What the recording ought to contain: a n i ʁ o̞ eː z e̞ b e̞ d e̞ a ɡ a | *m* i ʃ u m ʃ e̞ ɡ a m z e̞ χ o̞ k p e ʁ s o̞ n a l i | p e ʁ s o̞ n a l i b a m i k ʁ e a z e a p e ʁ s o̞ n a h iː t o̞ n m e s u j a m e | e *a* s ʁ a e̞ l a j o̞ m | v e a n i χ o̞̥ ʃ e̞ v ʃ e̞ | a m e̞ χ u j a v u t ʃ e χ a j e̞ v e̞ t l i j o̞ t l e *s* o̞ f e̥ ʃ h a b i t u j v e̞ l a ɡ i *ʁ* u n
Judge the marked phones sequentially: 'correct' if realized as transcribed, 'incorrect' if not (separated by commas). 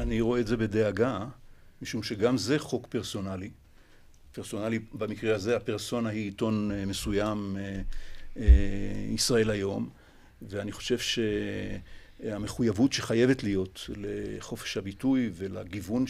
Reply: correct, incorrect, incorrect, incorrect